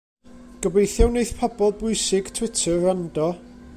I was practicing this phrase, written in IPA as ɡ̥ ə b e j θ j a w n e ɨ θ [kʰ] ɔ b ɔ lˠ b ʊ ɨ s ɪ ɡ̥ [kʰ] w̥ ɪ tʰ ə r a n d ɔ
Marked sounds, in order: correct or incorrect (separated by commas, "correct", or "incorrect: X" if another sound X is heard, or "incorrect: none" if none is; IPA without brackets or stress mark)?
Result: incorrect: pʰ, incorrect: tʰ